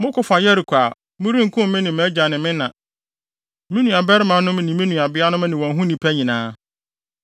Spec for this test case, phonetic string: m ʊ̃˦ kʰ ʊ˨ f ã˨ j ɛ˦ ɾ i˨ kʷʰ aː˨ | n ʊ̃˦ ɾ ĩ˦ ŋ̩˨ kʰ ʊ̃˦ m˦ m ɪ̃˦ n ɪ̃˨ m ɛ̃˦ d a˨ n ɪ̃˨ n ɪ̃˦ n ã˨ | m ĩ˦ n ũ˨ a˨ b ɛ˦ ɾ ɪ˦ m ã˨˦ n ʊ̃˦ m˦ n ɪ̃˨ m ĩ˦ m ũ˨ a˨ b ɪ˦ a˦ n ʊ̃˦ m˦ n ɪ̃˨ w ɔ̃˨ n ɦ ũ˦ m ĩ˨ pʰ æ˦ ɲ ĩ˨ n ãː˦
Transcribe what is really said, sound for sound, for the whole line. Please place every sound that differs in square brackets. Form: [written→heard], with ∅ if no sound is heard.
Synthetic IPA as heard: m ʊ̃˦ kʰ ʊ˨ f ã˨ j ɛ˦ ɾ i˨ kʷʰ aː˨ | [n→m] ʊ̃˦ ɾ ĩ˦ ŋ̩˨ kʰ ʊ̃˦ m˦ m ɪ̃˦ n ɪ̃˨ m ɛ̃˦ [d→d͡ʑ] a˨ n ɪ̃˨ [n→m] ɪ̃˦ n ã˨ | m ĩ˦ n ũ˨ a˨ b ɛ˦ ɾ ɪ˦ m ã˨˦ n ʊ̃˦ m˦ n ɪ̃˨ m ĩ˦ [m→n] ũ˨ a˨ b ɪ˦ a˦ n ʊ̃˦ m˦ n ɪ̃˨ w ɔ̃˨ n ɦ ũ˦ [m→n] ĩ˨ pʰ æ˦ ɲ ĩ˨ n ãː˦

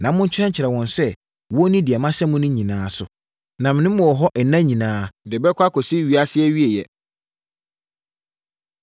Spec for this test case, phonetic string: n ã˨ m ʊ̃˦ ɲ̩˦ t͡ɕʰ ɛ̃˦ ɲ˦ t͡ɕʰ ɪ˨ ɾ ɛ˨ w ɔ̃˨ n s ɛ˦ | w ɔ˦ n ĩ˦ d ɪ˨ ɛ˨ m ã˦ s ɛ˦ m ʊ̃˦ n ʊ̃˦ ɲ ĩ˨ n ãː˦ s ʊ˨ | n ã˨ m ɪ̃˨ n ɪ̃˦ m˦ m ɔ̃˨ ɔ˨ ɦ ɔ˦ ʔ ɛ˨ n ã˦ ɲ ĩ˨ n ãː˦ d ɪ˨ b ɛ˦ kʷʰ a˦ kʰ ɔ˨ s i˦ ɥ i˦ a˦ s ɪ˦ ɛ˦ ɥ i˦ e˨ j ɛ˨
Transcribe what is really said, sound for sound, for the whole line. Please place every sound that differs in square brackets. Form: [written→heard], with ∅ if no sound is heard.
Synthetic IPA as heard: n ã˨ m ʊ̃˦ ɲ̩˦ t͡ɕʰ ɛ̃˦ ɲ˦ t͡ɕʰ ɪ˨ ɾ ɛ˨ w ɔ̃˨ n s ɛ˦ | w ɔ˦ n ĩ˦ d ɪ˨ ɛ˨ m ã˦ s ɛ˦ m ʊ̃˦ n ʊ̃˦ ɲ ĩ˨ n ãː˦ s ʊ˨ | n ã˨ m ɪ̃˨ n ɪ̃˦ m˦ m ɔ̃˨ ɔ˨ ɦ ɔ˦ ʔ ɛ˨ n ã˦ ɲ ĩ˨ n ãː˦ d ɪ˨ b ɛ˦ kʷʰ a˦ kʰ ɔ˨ s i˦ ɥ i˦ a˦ s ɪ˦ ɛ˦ ɥ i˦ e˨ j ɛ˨

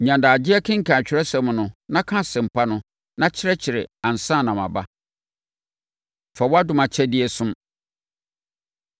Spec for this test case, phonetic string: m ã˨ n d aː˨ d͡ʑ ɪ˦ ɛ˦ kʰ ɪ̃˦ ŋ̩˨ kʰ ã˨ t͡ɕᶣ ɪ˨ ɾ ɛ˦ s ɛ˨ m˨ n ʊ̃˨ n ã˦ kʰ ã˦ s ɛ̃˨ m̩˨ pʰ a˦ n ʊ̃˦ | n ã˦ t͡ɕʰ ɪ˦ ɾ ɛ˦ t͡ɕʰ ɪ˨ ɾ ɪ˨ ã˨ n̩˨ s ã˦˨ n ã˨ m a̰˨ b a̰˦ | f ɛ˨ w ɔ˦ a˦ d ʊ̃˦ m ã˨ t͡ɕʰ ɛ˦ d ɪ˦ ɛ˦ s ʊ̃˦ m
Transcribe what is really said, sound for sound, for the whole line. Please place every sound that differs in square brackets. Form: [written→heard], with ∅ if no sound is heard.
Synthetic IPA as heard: [m→ɲ] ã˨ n d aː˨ d͡ʑ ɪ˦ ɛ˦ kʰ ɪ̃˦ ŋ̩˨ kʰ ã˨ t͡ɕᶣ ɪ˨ ɾ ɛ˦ s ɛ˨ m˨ n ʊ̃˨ n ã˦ kʰ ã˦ s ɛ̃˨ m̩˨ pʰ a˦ n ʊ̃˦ | n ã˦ t͡ɕʰ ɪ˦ ɾ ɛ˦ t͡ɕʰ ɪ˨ ɾ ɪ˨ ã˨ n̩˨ s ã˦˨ n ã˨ m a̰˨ b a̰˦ | f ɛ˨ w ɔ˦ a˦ d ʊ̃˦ m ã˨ t͡ɕʰ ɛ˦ d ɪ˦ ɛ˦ s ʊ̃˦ m

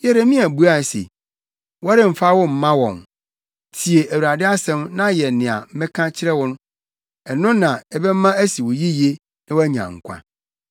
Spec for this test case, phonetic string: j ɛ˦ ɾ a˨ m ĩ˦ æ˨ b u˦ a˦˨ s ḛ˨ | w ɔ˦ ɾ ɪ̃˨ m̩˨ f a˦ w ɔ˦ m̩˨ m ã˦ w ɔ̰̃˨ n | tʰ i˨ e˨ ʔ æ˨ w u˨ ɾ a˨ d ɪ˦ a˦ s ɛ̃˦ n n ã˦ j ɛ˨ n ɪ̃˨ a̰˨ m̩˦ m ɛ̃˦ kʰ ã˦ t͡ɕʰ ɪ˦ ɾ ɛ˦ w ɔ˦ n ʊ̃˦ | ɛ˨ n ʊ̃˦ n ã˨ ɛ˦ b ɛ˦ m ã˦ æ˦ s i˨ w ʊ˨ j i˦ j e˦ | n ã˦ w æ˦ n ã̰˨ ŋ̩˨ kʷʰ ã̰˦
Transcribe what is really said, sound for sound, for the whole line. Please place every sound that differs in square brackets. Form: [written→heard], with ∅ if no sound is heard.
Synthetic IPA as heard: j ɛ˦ ɾ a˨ m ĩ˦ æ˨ b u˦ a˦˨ s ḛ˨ | w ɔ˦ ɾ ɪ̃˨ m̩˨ f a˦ w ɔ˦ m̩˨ m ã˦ w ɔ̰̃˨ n | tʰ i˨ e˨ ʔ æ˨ w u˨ ɾ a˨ d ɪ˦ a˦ s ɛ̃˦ [n→m] n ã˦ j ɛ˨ n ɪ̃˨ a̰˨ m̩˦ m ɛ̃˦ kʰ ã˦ t͡ɕʰ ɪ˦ ɾ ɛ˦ w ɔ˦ n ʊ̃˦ | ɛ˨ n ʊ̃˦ n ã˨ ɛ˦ b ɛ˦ m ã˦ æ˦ s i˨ w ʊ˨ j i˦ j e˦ | n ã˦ w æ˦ [n→ɲ] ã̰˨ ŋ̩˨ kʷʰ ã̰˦

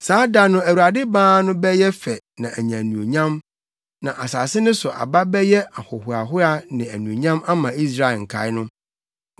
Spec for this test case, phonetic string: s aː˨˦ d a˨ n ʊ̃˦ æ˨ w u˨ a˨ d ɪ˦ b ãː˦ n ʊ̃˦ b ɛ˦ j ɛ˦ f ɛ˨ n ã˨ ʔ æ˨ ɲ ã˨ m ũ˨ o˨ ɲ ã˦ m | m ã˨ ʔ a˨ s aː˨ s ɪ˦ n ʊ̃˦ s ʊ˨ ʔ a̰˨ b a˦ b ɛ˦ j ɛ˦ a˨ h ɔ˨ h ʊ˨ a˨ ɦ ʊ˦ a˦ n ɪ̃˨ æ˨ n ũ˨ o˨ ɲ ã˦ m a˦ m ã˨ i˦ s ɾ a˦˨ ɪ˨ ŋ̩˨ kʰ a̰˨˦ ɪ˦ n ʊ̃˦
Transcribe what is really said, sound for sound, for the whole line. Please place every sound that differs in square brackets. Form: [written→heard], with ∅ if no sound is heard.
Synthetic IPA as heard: s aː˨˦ d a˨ n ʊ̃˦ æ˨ w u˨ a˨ d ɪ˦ b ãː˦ n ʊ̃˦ b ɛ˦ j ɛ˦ f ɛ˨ n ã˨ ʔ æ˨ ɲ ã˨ [m→n] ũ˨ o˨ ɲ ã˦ m | [m→n] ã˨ ʔ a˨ s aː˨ s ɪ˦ n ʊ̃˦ s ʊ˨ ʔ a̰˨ b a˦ b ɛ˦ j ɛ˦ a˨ h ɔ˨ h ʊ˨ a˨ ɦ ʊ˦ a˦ n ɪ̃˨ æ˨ n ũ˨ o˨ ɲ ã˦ m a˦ m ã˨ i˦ s ɾ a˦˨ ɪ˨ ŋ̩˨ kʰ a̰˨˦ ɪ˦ n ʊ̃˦

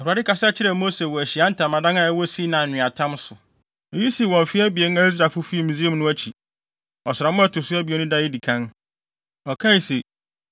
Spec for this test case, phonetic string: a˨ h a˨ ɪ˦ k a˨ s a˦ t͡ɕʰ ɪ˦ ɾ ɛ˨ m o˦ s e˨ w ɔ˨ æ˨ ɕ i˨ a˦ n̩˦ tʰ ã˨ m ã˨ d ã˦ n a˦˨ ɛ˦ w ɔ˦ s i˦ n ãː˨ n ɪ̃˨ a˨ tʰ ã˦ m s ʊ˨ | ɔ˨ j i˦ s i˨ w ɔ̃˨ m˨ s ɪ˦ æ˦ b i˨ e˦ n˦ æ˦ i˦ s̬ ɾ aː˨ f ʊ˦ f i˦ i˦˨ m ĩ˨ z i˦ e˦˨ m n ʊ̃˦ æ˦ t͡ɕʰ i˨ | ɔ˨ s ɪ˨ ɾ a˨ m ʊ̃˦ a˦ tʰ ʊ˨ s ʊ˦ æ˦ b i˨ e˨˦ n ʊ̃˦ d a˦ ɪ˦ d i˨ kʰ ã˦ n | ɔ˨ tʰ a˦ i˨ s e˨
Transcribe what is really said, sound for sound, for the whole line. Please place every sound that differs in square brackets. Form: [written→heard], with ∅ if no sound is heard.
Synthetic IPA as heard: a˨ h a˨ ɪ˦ k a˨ s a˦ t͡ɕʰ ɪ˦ ɾ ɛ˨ m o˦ s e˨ w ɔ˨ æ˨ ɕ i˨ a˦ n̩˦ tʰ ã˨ m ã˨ d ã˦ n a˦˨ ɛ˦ w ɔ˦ s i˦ n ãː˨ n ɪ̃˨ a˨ tʰ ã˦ m s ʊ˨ | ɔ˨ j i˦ s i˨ w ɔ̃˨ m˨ [s→f] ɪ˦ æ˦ b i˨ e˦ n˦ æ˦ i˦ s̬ ɾ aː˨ f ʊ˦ f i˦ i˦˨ m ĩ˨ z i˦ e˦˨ m n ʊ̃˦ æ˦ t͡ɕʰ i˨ | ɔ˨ s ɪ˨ ɾ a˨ m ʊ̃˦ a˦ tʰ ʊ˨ s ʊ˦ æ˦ b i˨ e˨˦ n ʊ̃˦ d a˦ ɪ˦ d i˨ kʰ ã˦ n | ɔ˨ [tʰ→kʰ] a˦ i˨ s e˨

